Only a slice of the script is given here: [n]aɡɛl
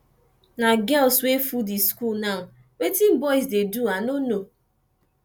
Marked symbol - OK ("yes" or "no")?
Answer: yes